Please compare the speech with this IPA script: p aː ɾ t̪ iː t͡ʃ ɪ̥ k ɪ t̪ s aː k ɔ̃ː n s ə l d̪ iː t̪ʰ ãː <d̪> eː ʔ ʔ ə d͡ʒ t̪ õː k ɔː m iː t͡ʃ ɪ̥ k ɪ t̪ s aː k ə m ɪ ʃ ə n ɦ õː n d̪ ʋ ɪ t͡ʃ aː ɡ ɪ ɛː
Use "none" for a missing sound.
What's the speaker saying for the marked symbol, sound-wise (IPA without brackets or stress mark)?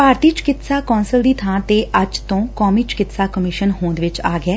t̪